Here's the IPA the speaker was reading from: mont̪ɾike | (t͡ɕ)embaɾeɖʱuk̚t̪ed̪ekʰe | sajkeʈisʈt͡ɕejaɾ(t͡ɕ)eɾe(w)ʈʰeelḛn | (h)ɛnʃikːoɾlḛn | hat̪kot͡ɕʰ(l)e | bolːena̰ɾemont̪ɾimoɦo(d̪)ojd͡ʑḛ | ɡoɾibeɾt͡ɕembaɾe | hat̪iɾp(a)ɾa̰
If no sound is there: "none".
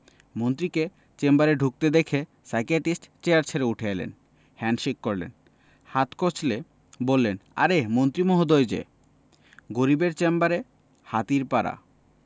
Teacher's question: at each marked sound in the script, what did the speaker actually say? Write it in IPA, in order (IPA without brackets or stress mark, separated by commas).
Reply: t͡ɕ, t͡ɕʰ, u, h, l, d̪, a